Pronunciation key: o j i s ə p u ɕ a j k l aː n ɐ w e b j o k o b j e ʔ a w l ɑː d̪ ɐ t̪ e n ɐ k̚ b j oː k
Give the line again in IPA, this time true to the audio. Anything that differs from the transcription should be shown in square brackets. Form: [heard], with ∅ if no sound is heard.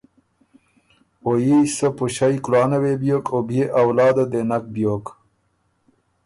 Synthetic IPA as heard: o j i s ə p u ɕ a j k l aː n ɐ w e b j o k o b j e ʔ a w l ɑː d̪ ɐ [d̪] e n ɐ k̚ b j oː k